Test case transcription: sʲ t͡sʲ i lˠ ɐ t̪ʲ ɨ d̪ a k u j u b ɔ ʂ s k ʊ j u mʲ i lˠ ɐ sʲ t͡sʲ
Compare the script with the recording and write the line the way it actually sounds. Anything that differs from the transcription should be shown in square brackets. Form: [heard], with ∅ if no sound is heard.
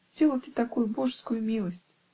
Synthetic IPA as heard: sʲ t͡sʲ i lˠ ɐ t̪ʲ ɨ [t̪] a k u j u b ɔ ʂ s k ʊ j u mʲ i lˠ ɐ sʲ t͡sʲ

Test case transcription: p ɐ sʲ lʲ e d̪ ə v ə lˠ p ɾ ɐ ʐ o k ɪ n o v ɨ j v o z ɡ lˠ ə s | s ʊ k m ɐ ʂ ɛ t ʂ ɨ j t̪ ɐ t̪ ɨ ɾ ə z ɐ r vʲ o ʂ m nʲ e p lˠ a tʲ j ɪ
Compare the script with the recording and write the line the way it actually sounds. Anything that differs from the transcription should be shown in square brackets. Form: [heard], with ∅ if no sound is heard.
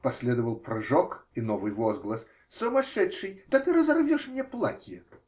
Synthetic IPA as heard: p ɐ sʲ lʲ e d̪ ə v ə lˠ p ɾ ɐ ʐ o k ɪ n o v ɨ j v o z ɡ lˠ ə s | s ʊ [∅] m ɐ ʂ ɛ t ʂ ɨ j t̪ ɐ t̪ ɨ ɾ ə z ɐ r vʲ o ʂ m nʲ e p lˠ a tʲ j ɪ

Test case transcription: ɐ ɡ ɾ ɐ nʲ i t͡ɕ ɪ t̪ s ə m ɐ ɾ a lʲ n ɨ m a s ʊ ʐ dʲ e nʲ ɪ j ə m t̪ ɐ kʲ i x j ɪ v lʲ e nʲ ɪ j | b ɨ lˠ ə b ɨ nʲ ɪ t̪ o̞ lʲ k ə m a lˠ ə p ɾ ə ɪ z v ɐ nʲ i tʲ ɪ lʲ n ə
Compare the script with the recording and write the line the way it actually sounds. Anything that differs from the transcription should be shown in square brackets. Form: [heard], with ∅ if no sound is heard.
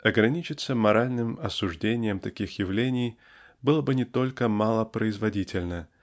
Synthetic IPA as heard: ɐ ɡ ɾ ɐ nʲ i t͡ɕ ɪ t̪ s ə m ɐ ɾ a lʲ n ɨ m [ɐ] s ʊ ʐ dʲ e nʲ ɪ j ə m t̪ ɐ kʲ i x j ɪ v lʲ e nʲ ɪ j | b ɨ lˠ ə b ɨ nʲ ɪ t̪ o̞ lʲ k ə m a lˠ ə p ɾ ə ɪ z v ɐ [dʲ] i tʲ ɪ lʲ n ə

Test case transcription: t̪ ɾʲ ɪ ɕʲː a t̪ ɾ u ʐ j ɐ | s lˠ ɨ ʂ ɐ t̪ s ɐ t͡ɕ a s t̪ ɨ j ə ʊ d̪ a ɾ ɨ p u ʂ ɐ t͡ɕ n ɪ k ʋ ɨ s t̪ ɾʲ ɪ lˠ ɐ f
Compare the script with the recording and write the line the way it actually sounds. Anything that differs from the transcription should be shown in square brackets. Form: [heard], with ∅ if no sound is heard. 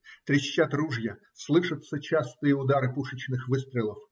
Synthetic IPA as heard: t̪ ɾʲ ɪ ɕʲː a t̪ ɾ u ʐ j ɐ | s lˠ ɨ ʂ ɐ t̪ s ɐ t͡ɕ a s t̪ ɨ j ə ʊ d̪ a ɾ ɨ p u ʂ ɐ t͡ɕ n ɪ [x] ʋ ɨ s t̪ ɾʲ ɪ lˠ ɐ f

